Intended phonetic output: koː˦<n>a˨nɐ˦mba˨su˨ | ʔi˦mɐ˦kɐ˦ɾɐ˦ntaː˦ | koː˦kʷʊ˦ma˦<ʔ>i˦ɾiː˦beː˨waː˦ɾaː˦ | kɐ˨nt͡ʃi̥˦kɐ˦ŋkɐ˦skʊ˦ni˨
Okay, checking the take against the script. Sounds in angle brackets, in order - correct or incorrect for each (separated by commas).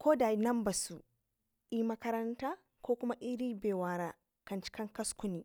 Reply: incorrect, correct